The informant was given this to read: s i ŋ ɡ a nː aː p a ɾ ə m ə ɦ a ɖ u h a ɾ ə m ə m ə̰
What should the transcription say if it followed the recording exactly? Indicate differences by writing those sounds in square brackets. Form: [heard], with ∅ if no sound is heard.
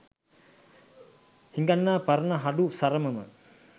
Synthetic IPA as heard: [h] i ŋ ɡ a nː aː p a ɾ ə [n] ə ɦ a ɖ u [s] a ɾ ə m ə m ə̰